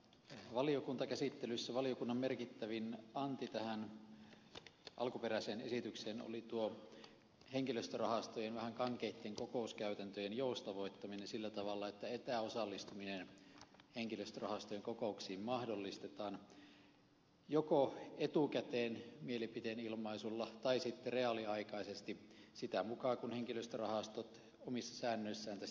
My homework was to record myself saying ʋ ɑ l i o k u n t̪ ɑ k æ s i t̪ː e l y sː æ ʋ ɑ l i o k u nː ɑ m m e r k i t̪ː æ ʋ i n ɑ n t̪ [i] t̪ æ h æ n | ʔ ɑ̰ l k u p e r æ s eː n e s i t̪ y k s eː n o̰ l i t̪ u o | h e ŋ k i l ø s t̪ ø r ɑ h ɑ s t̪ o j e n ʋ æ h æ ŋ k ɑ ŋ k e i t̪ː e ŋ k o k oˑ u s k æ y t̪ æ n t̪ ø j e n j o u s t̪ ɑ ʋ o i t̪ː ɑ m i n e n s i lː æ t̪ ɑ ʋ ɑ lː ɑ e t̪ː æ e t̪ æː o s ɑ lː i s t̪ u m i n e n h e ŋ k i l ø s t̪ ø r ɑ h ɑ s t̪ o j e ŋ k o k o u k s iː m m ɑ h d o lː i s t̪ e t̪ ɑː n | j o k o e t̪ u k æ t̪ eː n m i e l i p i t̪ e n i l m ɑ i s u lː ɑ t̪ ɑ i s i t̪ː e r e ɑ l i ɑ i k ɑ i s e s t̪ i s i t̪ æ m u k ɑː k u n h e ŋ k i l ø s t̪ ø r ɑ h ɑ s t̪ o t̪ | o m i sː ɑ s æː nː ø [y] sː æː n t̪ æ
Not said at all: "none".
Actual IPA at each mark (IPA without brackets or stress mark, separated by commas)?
i, i